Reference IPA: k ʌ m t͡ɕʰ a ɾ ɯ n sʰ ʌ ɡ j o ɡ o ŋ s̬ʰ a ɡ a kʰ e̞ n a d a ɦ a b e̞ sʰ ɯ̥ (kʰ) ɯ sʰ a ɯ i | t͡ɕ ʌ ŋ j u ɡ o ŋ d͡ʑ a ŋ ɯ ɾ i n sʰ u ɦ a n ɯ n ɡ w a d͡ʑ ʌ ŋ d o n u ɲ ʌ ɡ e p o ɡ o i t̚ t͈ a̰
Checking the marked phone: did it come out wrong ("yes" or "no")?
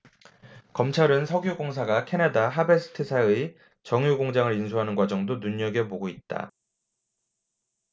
yes